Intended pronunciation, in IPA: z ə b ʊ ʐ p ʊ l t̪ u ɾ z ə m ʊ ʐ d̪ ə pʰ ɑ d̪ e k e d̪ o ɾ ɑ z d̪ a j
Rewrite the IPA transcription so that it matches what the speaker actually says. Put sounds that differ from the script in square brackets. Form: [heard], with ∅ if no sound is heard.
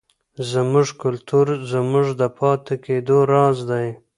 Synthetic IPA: z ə [m] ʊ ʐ [k] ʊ l t̪ u ɾ z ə m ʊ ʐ d̪ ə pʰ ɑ [t̪] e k e d̪ o ɾ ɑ z d̪ a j